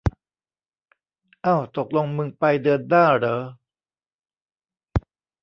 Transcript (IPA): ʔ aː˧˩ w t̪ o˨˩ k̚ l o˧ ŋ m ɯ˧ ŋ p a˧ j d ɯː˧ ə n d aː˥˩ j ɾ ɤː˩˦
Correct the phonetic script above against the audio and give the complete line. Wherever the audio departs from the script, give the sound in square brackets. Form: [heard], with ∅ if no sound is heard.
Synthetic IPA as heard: ʔ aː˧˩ w t̪ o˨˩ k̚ l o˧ ŋ m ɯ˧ ŋ p a˧ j d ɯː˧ ə n d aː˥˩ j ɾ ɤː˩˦